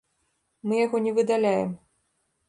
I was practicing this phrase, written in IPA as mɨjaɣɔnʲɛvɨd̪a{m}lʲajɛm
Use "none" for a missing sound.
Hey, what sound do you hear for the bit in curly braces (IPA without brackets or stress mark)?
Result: none